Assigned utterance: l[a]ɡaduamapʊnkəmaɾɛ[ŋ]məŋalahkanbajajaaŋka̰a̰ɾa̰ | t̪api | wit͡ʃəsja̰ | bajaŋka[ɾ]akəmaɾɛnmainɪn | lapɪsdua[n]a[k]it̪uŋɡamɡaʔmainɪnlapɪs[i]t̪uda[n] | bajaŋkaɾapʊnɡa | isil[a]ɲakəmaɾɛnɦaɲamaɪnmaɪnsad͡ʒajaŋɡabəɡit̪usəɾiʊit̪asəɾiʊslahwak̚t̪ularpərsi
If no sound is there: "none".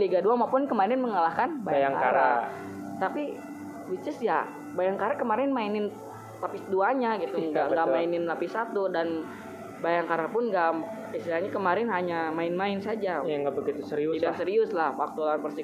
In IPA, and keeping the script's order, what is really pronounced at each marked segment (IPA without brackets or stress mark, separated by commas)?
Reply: i, n, ɾ, ɲ, ɡ, a, n, a